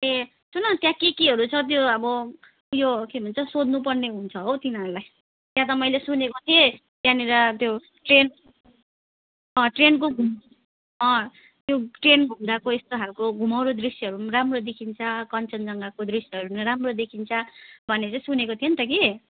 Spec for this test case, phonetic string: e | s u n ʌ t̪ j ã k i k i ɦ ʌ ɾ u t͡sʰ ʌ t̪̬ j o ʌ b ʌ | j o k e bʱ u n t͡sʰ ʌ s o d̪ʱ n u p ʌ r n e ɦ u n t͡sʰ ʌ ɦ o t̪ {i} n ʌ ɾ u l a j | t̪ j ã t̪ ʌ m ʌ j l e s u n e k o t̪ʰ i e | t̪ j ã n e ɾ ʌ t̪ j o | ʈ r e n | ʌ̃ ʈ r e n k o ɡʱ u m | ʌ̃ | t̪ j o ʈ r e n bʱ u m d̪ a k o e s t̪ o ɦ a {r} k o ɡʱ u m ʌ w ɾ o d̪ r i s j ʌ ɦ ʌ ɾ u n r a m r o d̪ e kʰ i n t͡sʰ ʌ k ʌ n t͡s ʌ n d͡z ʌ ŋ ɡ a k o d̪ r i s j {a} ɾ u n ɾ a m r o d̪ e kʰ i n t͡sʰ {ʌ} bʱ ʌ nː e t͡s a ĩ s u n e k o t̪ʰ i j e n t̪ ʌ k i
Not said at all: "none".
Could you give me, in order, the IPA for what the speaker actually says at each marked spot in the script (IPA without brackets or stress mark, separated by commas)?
i, l, ʌ, ʌ